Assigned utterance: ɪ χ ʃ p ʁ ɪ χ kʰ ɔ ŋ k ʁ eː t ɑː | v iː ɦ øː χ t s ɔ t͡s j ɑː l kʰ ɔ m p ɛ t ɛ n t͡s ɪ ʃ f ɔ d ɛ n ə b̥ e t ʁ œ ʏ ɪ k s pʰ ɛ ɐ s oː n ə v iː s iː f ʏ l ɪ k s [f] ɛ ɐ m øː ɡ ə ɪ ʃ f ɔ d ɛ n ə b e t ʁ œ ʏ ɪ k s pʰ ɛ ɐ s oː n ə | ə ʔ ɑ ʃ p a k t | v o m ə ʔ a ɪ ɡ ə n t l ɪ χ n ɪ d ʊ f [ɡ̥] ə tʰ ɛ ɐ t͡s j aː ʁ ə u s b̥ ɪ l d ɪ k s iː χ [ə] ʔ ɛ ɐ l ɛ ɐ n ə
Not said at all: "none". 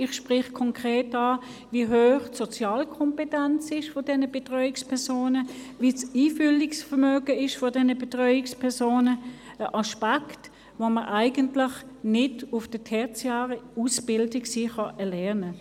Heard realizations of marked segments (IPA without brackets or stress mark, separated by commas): f, d̥, ɑ